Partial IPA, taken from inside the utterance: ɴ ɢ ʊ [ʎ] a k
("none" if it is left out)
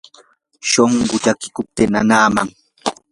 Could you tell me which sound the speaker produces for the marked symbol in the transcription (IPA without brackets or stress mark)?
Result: ʎ